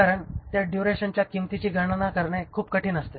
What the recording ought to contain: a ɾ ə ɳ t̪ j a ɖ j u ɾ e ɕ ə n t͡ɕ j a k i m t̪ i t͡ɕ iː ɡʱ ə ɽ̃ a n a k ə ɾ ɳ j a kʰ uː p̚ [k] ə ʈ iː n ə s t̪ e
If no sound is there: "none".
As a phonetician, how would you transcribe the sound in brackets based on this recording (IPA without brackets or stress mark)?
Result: k